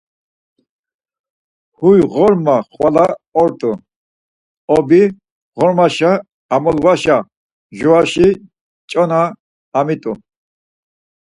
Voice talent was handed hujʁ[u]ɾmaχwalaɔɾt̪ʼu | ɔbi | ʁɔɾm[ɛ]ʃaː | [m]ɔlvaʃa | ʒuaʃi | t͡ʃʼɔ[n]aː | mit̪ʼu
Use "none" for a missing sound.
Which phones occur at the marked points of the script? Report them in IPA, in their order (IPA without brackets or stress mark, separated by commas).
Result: ɔ, a, m, n